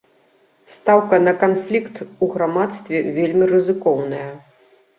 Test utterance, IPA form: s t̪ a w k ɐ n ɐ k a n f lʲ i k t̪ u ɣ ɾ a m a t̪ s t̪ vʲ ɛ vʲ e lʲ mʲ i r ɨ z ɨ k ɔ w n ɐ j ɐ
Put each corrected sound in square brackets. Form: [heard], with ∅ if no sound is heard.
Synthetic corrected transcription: s t̪ a w k ɐ n ɐ k a n f lʲ i k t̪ u ɣ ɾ a m a t̪ s t̪ vʲ ɛ vʲ e lʲ mʲ i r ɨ z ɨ k ɔ w n ɐ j ɐ

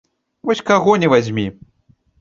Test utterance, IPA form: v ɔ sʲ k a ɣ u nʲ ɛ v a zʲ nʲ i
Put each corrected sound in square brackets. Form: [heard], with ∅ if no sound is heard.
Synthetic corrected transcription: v ɔ sʲ k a ɣ [ɔ] nʲ ɛ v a zʲ [mʲ] i

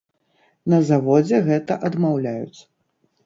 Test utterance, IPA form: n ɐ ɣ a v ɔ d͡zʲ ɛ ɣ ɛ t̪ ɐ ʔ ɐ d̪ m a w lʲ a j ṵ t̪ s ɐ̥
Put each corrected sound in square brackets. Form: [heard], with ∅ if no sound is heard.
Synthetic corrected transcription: n ɐ [z] a v ɔ d͡zʲ ɛ ɣ ɛ t̪ ɐ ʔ ɐ d̪ m a w lʲ a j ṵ t̪ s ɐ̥

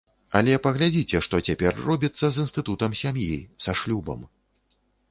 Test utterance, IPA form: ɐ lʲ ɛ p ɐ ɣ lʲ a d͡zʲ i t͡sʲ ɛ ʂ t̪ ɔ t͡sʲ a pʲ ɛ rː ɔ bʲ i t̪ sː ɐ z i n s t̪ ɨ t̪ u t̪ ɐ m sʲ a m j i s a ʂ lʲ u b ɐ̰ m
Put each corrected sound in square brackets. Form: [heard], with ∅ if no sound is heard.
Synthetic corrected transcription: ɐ lʲ ɛ p ɐ ɣ lʲ a d͡zʲ i t͡sʲ ɛ ʂ t̪ ɔ t͡sʲ a pʲ ɛ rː ɔ bʲ i t̪ sː ɐ z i n s t̪ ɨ t̪ u t̪ ɐ m sʲ a m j i s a ʂ lʲ u b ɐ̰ m

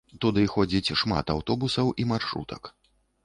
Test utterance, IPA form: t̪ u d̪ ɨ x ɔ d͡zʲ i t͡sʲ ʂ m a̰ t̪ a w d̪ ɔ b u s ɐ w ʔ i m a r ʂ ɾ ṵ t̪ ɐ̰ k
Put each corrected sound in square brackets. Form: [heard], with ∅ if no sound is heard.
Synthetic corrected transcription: t̪ u d̪ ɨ x ɔ d͡zʲ i t͡sʲ ʂ m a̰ t̪ a w [t̪] ɔ b u s ɐ w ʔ i m a r ʂ ɾ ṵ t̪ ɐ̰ k

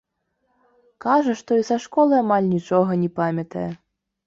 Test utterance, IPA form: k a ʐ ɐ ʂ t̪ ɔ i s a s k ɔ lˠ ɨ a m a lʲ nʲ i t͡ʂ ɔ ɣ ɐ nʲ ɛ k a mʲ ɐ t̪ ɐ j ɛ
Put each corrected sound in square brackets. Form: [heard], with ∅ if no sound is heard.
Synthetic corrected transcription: k a ʐ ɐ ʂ t̪ ɔ i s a [ʂ] k ɔ lˠ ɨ a m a lʲ nʲ i t͡ʂ ɔ ɣ ɐ nʲ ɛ [p] a mʲ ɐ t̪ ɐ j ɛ

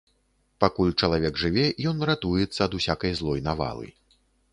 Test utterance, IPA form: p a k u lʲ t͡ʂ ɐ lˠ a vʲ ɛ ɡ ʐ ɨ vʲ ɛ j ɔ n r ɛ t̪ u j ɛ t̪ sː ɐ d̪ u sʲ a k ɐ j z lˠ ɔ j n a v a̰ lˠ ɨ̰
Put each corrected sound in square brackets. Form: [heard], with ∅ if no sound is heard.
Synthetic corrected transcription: p a k u lʲ t͡ʂ ɐ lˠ a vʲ ɛ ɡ ʐ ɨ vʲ ɛ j ɔ n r [a] t̪ u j ɛ t̪ sː ɐ d̪ u sʲ a k ɐ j z lˠ ɔ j n a v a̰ lˠ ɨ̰

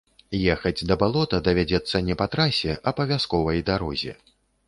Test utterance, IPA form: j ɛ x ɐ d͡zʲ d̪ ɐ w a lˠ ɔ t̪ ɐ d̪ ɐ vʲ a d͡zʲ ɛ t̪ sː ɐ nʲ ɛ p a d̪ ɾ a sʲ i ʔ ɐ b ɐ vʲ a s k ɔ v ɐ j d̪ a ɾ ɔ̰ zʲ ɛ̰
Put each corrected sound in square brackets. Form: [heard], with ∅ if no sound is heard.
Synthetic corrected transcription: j ɛ x ɐ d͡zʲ d̪ ɐ [b] a lˠ ɔ t̪ ɐ d̪ ɐ vʲ a d͡zʲ ɛ t̪ sː ɐ nʲ ɛ p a [t̪] ɾ a sʲ [ɛ] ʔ ɐ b ɐ vʲ a s k ɔ v ɐ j d̪ a ɾ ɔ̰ zʲ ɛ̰

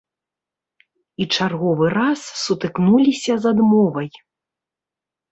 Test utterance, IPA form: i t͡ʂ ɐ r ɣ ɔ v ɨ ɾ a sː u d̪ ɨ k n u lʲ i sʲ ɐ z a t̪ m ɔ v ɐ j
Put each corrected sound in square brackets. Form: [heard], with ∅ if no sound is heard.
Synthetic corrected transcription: i t͡ʂ [a] r ɣ ɔ v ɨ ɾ a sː u [t̪] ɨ k n u lʲ i sʲ ɐ z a [d̪] m ɔ v ɐ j

